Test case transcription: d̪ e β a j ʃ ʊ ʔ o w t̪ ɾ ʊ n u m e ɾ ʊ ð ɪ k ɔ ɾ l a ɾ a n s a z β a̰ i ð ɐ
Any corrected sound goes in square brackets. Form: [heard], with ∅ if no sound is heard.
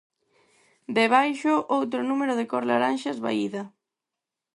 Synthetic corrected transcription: d̪ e β a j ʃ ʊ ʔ o w t̪ ɾ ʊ n u m e ɾ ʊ ð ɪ k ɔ ɾ l a ɾ a n [ʃ] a z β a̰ i ð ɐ